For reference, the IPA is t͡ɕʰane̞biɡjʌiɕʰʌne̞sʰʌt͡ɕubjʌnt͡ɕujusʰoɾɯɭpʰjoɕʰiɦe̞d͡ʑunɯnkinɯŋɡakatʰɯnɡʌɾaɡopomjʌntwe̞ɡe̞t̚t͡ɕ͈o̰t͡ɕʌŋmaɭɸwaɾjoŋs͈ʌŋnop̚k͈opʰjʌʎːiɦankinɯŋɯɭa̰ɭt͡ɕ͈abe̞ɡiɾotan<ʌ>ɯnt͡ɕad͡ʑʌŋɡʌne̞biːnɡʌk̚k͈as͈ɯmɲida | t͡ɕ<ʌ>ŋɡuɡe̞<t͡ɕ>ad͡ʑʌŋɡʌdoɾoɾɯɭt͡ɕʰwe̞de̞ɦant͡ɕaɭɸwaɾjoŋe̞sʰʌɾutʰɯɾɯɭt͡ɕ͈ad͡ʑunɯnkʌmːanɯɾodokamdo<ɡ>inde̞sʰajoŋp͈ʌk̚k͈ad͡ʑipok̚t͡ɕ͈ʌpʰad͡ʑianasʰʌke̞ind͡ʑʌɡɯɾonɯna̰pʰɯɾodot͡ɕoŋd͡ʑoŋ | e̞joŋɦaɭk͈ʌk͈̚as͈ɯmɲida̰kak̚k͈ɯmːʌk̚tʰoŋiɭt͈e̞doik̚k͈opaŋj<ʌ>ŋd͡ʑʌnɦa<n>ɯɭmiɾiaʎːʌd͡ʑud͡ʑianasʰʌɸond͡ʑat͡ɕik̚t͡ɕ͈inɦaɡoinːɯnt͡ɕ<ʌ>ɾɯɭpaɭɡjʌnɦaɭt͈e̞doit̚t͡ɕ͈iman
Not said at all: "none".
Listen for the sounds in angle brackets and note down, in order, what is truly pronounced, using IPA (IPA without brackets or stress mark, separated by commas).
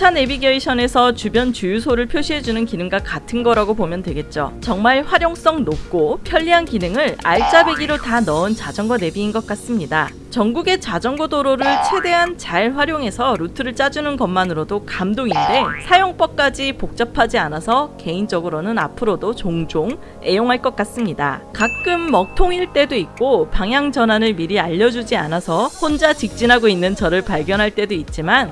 ʌ, ʌ, t͡ɕ, ŋ, a, n, ʌ